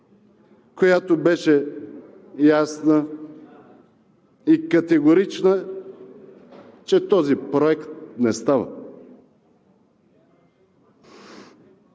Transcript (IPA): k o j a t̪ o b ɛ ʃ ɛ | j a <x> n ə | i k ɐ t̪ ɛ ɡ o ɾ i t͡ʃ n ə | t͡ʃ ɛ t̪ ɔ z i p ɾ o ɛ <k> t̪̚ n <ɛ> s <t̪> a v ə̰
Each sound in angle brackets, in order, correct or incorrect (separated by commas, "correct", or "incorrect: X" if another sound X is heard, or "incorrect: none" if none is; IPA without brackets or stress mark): incorrect: s, correct, correct, correct